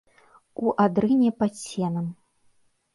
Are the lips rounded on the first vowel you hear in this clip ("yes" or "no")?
yes